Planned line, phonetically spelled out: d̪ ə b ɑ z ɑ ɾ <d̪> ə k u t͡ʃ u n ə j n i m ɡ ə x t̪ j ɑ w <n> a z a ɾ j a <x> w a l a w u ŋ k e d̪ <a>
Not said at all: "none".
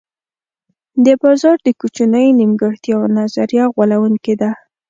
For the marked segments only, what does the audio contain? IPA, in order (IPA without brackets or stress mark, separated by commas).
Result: d̪, n, ɣ, a